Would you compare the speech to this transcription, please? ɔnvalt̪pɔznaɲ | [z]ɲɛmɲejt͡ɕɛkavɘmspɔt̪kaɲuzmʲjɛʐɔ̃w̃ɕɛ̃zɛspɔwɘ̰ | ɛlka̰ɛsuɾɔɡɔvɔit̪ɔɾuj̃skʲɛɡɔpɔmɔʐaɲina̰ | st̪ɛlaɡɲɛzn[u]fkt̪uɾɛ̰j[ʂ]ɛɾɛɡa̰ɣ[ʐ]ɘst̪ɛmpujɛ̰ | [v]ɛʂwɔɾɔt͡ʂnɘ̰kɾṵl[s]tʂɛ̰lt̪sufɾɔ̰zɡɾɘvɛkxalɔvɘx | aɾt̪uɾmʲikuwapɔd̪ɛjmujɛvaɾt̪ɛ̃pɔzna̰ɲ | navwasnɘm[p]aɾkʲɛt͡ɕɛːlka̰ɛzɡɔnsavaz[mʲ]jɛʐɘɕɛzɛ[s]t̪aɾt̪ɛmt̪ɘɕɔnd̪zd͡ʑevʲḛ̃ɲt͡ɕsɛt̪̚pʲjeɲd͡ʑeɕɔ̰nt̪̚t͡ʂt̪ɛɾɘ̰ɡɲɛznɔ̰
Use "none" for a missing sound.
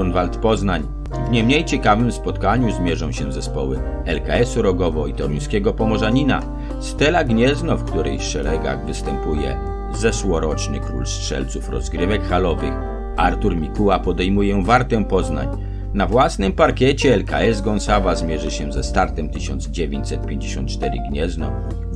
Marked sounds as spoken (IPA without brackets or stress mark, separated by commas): v, ɔ, ʂ, v, z, s, p, mʲ, s